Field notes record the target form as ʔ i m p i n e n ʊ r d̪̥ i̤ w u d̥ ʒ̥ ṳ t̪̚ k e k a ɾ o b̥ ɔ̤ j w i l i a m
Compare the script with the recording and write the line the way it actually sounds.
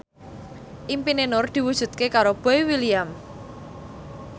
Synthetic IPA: ʔ i m p i n e n ʊ r d̪̥ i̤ w u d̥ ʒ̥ ṳ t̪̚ k e k a ɾ o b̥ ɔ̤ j w i l i a m